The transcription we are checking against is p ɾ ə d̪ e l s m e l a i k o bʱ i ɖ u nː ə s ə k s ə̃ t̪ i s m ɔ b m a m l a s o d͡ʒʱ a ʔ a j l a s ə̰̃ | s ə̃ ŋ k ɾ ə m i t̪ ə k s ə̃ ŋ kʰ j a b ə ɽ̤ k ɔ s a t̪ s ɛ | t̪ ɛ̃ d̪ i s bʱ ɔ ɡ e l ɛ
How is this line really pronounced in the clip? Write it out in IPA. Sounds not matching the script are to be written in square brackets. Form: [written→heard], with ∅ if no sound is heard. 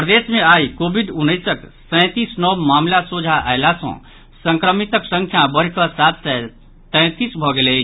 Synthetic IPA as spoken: p ɾ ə d̪ e [l→∅] s m e [l→∅] a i k o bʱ i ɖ u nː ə s ə k s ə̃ t̪ i s [m→n] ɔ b m a m l a s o d͡ʒʱ a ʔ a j l a s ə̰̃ | s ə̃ ŋ k ɾ ə m i t̪ ə k s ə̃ ŋ kʰ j a b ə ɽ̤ k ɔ s a t̪ s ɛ | t̪ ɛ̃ [d̪→t̪] i s bʱ ɔ ɡ e l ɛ